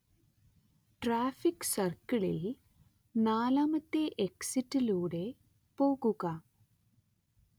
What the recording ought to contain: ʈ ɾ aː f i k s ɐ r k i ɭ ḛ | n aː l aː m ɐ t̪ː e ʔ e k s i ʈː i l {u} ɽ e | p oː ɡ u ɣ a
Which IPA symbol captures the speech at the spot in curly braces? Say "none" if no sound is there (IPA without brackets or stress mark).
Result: uː